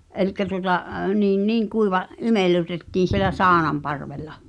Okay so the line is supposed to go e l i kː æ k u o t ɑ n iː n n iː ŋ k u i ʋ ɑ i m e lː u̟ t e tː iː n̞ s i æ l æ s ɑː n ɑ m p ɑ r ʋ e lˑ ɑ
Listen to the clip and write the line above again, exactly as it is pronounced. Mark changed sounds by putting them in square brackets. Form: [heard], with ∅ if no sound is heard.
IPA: e l i kː æ [t] u o t ɑ n iː n n iː ŋ k u i ʋ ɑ i m e lː u̟ t e tː iː n̞ s i [e] l æ s ɑː n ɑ m p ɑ r ʋ e lˑ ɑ